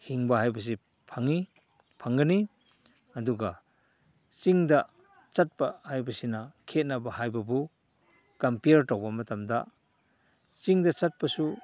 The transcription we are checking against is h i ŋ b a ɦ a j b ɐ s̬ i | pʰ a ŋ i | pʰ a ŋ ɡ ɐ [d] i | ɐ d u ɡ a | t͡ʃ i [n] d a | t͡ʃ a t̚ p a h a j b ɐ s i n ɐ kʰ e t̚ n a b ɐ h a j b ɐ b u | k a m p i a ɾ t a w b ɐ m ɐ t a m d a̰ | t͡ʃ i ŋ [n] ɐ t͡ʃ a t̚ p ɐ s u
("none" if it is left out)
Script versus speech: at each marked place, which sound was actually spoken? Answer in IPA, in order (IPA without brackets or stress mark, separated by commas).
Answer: n, ŋ, d